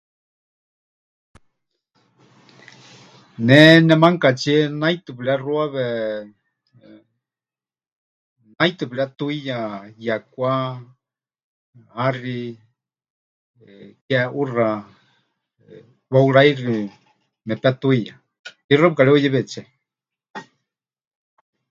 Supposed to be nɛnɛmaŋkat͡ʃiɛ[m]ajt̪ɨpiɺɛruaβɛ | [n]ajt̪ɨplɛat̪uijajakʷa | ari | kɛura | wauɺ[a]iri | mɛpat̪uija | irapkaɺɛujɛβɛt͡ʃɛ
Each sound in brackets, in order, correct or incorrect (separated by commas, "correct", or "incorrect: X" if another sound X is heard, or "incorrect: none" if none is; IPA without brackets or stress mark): incorrect: n, correct, correct